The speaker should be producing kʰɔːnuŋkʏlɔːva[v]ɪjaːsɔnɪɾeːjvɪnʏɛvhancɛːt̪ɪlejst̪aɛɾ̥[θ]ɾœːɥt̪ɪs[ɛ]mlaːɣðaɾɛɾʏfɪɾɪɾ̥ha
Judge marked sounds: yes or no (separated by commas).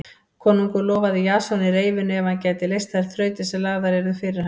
no, yes, yes